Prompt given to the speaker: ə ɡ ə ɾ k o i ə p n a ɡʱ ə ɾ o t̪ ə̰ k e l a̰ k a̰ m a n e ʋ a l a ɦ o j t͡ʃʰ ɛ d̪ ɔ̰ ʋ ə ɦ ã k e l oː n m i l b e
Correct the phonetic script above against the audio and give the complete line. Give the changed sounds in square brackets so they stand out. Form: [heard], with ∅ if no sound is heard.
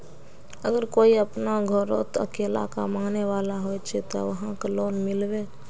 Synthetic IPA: ə ɡ ə ɾ k o i ə p n a ɡʱ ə ɾ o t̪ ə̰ k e l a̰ k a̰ m a n e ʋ a l a ɦ o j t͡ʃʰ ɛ [t̪] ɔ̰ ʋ ə ɦ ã k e l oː n m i l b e